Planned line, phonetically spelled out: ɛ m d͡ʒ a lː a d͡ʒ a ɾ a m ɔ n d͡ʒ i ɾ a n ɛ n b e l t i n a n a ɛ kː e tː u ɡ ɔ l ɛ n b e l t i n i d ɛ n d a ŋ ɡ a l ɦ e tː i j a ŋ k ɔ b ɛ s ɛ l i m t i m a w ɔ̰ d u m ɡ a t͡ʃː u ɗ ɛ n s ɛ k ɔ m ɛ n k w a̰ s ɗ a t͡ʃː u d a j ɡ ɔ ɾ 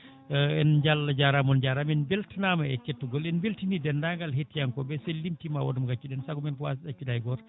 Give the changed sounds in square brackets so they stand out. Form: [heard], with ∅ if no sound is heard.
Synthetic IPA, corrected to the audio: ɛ [n] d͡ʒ a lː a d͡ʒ a ɾ a m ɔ n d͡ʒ [a] ɾ a [m] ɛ n b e l t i n a [m] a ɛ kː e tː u ɡ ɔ l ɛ n b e l t i n i d ɛ n d a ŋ ɡ a l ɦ e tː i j a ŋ k ɔ b ɛ s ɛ l i m t i m a w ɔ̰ d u m ɡ a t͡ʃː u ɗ ɛ n s [a] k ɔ m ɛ n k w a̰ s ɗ a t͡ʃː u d a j ɡ ɔ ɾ